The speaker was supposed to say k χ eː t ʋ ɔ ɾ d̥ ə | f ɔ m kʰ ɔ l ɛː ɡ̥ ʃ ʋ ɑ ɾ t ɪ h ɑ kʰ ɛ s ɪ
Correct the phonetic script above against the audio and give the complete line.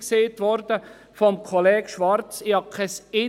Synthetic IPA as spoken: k s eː t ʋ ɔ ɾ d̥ ə | f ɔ m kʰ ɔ l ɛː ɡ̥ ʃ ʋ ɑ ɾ t͡s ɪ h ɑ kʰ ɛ s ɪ